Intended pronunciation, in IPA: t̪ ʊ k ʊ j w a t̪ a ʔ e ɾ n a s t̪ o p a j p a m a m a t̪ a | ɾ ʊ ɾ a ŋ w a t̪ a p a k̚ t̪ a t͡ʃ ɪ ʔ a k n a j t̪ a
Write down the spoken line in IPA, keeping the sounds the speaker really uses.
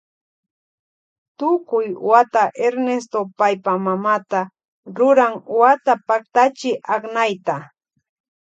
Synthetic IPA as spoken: t̪ ʊ k ʊ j w a t̪ a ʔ e ɾ n e s t̪ o p a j p a m a m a t̪ a | ɾ ʊ ɾ a ŋ w a t̪ a p a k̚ t̪ a t͡ʃ ɪ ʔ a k n a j t̪ a